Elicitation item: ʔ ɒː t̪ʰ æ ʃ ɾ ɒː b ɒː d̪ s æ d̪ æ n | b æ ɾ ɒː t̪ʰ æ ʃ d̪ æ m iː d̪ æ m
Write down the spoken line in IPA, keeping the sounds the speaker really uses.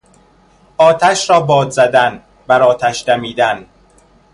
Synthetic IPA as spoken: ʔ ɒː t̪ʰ æ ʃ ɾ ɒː b ɒː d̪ z æ d̪ æ n | b æ ɾ ɒː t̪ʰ æ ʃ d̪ æ m iː d̪ æ n